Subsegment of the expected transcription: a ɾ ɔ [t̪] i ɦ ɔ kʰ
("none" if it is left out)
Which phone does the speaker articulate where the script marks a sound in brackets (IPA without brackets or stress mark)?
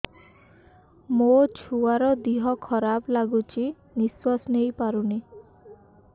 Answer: d̪